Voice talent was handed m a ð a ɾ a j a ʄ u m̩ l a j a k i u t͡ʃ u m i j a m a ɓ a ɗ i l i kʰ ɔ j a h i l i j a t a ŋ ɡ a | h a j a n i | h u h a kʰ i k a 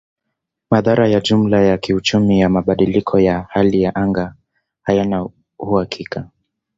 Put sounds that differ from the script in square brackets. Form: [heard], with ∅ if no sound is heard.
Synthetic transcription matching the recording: m a ð a ɾ a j a ʄ u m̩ l a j a k i u t͡ʃ u m i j a m a ɓ a ɗ i l i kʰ ɔ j a h [a] l i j a [ʔ] a ŋ ɡ a | h a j a n [a] | h u h a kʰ i k a